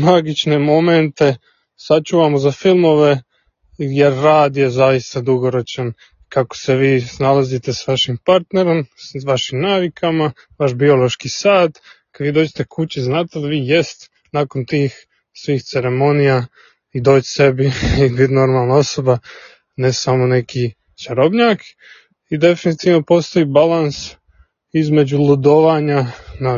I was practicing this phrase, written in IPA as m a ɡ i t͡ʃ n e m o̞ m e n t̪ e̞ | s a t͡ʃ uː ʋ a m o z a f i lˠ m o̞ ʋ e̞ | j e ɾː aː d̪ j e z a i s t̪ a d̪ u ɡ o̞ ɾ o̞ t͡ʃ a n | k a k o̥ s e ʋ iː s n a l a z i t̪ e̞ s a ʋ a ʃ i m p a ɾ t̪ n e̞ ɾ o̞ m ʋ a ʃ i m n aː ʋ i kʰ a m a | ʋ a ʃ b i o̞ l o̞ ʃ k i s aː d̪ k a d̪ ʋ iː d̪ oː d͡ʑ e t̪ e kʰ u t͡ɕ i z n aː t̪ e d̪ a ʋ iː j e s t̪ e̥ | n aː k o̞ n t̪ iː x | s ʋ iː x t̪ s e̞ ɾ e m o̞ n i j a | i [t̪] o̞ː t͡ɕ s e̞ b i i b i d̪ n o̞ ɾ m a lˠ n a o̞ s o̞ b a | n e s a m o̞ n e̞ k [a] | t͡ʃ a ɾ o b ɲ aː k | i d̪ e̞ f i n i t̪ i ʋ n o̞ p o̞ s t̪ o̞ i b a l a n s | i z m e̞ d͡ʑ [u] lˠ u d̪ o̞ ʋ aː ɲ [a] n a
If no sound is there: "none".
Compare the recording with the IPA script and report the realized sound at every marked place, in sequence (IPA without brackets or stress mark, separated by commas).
d̪, i, u, a